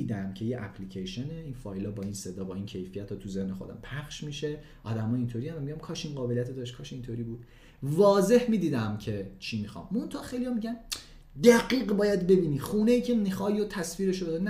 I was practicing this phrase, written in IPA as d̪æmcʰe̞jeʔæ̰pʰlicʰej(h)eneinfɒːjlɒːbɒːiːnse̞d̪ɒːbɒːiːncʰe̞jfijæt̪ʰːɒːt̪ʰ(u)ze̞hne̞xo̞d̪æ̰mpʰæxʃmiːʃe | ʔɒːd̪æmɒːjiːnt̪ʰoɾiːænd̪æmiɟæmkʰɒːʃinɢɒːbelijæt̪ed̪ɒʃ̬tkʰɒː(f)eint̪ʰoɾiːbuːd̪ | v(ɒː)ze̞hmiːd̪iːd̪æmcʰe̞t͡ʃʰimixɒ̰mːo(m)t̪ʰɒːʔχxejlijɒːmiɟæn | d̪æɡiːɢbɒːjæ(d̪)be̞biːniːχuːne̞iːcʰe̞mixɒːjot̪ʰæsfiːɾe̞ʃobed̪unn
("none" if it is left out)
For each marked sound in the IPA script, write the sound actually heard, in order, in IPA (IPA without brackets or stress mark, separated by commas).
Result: ʃ, u, ʃ, ɒː, n, d̪